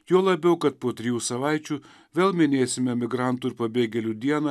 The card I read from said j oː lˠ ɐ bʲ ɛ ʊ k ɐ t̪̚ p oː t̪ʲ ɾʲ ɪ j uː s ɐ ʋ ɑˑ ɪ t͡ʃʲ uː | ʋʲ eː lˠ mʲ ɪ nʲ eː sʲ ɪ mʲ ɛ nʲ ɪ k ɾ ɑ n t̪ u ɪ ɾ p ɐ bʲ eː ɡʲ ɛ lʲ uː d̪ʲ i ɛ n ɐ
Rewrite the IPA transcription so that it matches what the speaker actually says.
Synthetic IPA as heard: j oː lˠ ɐ bʲ ɛ ʊ k ɐ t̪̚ p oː t̪ʲ ɾʲ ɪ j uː s ɐ ʋ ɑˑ ɪ t͡ʃʲ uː | ʋʲ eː lˠ mʲ ɪ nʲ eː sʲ ɪ mʲ ɛ mʲ ɪ ɡ ɾ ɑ n t̪ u ɪ ɾ p ɐ bʲ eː ɡʲ ɛ lʲ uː d̪ʲ i ɛ n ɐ